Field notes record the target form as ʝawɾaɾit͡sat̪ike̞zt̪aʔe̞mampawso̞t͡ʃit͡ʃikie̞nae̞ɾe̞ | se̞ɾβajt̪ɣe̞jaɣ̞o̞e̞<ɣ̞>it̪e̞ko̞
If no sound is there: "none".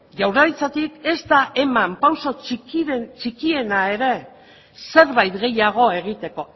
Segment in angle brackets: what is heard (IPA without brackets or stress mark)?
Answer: ɣ̞